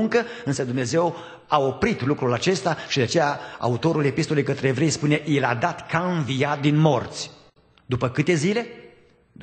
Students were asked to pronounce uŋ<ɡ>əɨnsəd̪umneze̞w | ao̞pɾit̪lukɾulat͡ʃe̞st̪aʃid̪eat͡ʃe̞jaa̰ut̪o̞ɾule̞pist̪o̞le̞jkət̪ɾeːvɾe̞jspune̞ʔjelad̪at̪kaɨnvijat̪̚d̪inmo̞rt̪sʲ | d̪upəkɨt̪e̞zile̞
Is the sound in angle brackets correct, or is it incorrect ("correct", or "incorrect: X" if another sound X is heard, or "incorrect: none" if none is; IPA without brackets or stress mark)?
incorrect: k